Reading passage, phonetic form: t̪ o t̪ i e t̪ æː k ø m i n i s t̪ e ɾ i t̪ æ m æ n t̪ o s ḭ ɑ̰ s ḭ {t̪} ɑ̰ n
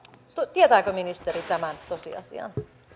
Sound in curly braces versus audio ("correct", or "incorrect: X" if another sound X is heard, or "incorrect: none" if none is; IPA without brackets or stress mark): incorrect: none